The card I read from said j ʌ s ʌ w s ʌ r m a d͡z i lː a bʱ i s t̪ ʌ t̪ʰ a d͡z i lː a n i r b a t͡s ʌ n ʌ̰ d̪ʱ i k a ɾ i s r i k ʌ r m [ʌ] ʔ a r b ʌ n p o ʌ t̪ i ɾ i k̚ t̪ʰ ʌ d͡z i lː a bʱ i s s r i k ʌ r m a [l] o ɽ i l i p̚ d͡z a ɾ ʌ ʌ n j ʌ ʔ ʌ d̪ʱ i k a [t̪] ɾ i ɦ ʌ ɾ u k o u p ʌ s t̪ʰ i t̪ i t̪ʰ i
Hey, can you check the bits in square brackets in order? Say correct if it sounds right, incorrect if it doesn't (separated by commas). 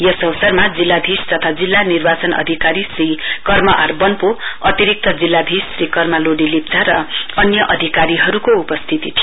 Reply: correct, correct, incorrect